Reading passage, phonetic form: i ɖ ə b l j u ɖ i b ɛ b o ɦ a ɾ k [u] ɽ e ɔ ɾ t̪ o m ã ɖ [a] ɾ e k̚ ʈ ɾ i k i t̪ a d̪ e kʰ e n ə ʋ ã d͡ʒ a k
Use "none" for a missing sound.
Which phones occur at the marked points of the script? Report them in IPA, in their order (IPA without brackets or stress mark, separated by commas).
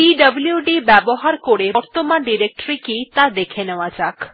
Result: o, i